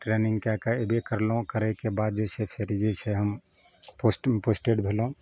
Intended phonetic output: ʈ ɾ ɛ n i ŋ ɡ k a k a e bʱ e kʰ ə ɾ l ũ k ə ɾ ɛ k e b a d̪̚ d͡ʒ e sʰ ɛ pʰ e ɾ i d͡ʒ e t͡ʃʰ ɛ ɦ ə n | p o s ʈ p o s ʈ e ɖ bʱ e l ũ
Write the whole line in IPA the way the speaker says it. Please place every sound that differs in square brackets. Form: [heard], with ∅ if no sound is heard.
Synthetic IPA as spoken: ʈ ɾ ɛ n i ŋ ɡ k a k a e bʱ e [k] ə ɾ l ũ k ə ɾ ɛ k e b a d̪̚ d͡ʒ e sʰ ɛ pʰ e ɾ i d͡ʒ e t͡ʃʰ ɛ ɦ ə [m] | p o s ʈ p o s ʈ e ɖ bʱ e l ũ